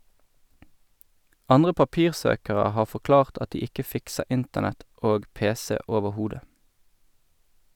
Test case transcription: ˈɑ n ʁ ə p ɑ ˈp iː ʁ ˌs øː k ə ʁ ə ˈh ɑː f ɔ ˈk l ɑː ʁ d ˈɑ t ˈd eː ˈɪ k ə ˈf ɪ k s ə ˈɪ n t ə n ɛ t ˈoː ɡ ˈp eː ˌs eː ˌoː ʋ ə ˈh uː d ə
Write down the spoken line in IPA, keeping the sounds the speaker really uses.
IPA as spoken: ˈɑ n ʁ ə p ɑ ˈp iː ʁ ˌs øː k ə ʁ ə ˈh ɑː f ɔ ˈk l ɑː ʁ t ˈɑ t ˈd iː ˈɪ k ə ˈf ɪ k s ə ˈɪ n t ə n ɛ t ˈoː ɡ ˈp eː ˌs eː ˌoː ʋ ə ˈh uː d ə

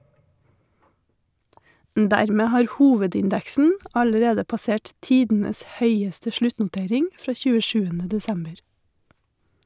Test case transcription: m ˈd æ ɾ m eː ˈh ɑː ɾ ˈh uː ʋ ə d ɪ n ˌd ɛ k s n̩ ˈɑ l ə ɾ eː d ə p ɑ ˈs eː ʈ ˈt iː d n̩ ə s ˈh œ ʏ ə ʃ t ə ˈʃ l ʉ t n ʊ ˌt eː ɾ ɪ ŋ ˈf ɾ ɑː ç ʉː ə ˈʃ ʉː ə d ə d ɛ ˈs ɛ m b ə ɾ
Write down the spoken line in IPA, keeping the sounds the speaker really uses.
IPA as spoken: m ˈd æ ɾ m eː ˈh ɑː ɾ ˈh uː ʋ ə d ɪ n ˌd ɛ k s n̩ ˈɑ l ə ɾ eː d ə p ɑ ˈs eː ʈ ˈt iː d n̩ ə s ˈh œ ʏ ə s t ə ˈʃ l ʉ t n ʊ ˌt eː ɾ ɪ ŋ ˈf ɾ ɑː ç ʉː ə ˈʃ ʉː ə n ə d ɛ ˈs ɛ m b ə ɾ

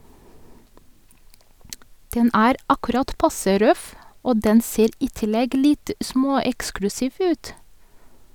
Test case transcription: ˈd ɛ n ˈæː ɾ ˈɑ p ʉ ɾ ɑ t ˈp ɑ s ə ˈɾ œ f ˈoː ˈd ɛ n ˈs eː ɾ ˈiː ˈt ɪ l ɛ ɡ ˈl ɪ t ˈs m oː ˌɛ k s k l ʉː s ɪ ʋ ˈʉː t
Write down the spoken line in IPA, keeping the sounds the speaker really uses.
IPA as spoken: ˈd ɛ n ˈæː ɾ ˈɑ k ʉ ɾ ɑ t ˈp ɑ s ə ˈɾ œ f ˈoː ˈd ɛ n ˈs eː ɾ ˈiː ˈt ɪ l ɛ ɡ ˈl ɪ t ˈs m oː ˌɛ k s k l ʉ s ɪ ʋ ˈʉː t

